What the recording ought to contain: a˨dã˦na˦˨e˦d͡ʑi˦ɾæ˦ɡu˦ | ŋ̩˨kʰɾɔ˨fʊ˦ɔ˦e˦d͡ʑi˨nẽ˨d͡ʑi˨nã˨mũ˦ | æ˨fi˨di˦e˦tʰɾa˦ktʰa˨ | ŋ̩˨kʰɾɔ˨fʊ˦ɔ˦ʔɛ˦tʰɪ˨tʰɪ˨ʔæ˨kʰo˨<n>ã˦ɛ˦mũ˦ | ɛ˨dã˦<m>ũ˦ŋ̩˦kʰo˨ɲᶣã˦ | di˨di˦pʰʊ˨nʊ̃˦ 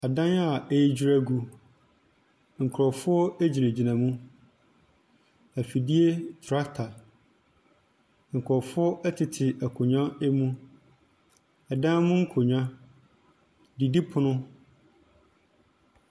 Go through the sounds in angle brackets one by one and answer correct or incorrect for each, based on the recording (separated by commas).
incorrect, correct